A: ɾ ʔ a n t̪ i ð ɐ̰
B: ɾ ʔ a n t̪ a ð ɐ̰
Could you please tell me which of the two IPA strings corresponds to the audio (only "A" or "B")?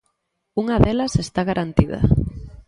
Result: A